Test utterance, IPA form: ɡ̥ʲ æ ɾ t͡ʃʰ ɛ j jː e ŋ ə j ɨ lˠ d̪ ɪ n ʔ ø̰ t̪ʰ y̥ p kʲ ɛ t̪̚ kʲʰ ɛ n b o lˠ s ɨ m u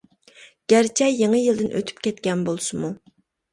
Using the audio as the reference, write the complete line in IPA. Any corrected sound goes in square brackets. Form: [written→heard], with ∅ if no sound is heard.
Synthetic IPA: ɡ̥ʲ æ ɾ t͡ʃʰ ɛ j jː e ŋ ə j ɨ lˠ d̪ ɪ n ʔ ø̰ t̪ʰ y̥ p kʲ ɛ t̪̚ [kʲʰ→kʲ] ɛ n b o lˠ s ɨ m u